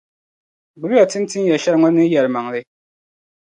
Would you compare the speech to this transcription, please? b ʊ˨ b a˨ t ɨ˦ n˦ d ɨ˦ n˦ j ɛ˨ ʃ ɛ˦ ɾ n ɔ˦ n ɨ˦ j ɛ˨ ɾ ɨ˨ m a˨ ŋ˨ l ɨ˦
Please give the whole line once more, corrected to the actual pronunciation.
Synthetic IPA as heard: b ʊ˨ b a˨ t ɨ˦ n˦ t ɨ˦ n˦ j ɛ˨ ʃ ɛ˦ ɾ ŋ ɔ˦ n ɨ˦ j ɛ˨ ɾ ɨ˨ m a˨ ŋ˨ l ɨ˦